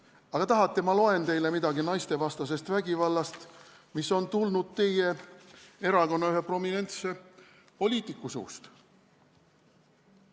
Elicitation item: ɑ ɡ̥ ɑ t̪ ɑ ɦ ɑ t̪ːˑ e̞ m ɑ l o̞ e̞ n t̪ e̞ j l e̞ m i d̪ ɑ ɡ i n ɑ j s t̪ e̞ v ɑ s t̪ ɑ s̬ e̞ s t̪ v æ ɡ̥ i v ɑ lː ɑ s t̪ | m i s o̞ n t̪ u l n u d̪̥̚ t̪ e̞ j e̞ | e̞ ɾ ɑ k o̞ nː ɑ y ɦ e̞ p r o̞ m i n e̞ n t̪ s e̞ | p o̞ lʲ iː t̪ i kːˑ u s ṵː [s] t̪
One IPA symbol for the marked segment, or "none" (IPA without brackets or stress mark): s